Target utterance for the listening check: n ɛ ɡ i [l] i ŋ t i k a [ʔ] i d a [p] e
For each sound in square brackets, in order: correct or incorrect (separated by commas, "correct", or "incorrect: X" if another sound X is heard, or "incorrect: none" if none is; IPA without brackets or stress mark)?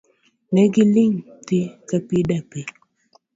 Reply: correct, incorrect: p, correct